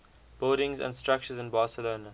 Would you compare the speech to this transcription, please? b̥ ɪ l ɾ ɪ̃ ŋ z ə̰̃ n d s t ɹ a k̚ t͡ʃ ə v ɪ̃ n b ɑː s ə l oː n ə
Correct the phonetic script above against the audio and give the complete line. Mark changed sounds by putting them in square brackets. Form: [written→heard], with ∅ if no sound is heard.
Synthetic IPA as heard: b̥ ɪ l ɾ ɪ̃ ŋ z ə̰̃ n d s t ɹ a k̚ t͡ʃ ə [v→z] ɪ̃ n b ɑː s ə l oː n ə